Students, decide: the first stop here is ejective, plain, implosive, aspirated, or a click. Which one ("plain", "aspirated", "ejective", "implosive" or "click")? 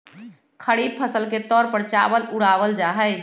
aspirated